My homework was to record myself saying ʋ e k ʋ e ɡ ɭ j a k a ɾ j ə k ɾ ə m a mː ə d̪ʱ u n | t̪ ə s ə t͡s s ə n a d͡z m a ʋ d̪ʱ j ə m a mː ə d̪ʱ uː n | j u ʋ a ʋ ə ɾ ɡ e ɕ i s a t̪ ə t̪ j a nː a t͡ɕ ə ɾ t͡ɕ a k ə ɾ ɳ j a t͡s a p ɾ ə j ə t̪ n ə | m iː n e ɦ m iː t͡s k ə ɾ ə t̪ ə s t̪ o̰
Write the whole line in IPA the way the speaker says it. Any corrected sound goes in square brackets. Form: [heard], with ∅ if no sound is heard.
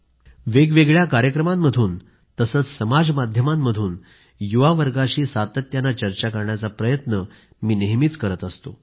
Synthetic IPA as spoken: ʋ e [ɡ] ʋ e ɡ ɭ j a k a ɾ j ə k ɾ ə m a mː ə d̪ʱ [uː] n | t̪ ə s ə t͡s s ə [m] a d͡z m a [∅] d̪ʱ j ə m a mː ə d̪ʱ uː n | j u ʋ a ʋ ə ɾ ɡ [a] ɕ [iː] s a t̪ ə t̪ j a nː a t͡ɕ ə ɾ t͡ɕ a k ə ɾ ɳ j a t͡s a p ɾ ə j ə t̪ n ə | m iː n e ɦ m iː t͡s k ə ɾ ə t̪ ə s t̪ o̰